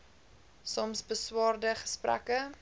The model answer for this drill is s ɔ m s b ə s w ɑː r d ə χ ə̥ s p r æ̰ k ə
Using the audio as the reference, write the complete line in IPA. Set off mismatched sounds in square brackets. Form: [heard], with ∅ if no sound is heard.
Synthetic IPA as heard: s ɔ m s b ə s w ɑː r d ə χ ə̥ s p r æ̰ k ə